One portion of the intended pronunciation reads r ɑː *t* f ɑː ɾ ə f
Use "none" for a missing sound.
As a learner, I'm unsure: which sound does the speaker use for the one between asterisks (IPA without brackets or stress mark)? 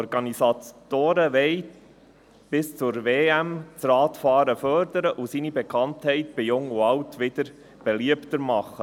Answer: t